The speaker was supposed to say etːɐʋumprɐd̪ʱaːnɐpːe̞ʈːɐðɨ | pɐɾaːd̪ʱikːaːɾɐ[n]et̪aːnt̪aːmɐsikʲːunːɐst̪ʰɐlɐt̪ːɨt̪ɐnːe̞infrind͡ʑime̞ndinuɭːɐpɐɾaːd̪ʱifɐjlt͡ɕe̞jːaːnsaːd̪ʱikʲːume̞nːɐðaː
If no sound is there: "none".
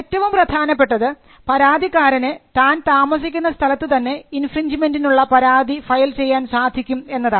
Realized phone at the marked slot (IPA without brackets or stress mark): n